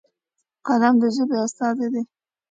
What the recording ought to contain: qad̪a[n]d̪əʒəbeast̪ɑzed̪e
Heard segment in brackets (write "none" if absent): m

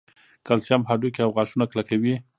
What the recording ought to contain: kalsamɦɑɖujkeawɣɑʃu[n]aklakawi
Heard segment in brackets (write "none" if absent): n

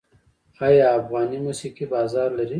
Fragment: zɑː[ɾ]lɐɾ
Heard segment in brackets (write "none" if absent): ɾ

